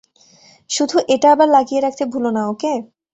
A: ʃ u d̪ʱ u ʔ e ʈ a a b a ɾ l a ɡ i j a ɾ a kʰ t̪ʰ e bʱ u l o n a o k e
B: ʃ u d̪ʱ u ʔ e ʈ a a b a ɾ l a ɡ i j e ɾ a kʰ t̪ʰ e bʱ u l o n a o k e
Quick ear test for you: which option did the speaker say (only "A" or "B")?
B